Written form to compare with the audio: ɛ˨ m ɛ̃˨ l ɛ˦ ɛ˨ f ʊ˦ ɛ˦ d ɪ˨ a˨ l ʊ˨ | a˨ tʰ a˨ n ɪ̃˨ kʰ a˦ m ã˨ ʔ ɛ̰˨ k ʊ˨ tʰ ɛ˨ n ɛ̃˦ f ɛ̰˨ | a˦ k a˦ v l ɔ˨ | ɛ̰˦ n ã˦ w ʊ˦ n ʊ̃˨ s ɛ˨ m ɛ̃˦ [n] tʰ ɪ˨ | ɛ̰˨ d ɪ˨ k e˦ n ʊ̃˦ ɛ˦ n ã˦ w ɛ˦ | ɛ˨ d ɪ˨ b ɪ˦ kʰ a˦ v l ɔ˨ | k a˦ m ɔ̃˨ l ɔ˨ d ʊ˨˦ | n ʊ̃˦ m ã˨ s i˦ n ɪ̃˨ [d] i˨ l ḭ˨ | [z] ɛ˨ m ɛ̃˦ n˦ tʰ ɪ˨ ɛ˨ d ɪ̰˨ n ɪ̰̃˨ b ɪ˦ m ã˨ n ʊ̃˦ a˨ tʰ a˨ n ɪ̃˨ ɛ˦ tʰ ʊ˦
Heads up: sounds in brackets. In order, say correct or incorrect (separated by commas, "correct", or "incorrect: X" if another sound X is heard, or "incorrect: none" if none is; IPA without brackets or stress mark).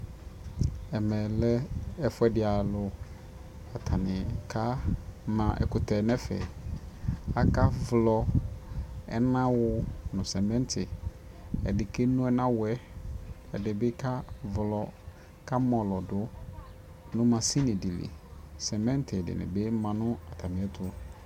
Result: correct, correct, incorrect: s